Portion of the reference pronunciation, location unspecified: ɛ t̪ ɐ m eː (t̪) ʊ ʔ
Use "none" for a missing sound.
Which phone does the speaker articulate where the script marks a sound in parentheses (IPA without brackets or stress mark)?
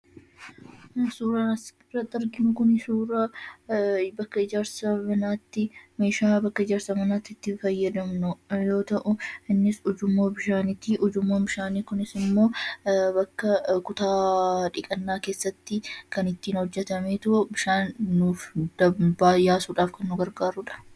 t̪